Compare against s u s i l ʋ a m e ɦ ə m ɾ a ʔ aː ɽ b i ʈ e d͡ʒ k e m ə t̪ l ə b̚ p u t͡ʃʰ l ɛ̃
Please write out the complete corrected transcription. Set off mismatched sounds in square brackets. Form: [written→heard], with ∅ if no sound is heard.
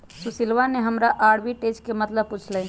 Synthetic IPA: s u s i l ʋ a [m→n] e ɦ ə m ɾ a ʔ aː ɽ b i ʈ e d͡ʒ k e m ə t̪ l ə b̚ p u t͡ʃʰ l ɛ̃